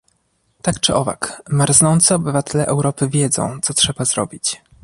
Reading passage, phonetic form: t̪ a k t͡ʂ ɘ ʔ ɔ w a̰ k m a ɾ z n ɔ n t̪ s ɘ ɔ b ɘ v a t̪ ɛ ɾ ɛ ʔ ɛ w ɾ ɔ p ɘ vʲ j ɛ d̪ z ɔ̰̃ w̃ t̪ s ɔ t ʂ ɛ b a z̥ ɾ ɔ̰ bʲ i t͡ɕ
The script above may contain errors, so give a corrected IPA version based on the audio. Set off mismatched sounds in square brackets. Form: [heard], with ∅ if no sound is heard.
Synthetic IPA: t̪ a k t͡ʂ ɘ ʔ ɔ [v] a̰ k m a ɾ z n ɔ n t̪ s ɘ ɔ b ɘ v a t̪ ɛ [l] ɛ ʔ ɛ w ɾ ɔ p ɘ vʲ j ɛ d̪ z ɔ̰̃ w̃ t̪ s ɔ t ʂ ɛ b a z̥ ɾ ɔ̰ bʲ i t͡ɕ